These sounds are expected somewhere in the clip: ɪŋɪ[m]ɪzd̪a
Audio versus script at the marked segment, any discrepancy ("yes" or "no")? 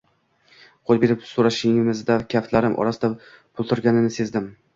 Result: no